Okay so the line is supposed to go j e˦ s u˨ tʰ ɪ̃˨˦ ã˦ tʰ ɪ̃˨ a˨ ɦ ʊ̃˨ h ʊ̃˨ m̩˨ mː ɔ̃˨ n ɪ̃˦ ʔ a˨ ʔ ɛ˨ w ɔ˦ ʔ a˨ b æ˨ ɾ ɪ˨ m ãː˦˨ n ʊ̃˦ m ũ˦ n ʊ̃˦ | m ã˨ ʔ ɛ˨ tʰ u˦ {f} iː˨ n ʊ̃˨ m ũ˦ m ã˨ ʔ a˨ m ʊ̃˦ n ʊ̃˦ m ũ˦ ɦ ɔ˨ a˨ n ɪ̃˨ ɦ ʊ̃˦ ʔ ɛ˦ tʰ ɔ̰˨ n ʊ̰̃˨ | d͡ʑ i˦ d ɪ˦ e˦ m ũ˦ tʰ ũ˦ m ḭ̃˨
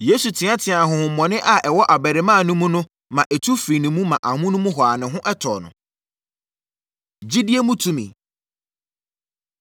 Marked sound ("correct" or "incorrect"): correct